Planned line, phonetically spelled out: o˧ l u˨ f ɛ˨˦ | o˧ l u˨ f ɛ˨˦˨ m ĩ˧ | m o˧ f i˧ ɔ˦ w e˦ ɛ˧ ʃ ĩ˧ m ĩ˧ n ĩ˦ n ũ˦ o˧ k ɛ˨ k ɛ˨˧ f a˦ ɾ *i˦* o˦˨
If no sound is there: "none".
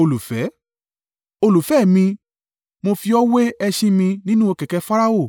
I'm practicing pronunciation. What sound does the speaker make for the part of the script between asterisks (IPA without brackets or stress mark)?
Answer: a˦